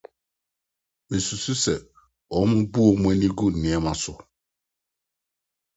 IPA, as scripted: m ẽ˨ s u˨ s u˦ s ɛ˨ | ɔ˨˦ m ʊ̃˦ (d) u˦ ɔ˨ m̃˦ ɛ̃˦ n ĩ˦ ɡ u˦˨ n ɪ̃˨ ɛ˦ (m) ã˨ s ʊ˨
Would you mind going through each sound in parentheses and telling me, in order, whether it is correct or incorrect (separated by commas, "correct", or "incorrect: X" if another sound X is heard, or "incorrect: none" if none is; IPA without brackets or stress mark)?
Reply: incorrect: b, correct